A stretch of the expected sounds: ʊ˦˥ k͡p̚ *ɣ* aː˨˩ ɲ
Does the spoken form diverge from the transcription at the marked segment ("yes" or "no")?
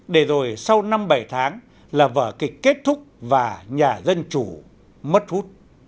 yes